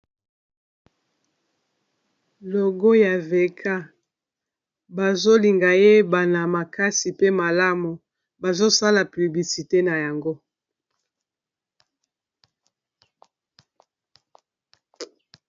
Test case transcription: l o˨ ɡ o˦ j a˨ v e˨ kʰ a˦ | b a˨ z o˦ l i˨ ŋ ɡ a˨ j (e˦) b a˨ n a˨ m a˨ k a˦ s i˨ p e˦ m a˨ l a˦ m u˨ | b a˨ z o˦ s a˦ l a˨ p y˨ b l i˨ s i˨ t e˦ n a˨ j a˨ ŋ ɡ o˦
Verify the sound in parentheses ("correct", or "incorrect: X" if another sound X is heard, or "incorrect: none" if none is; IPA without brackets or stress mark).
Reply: correct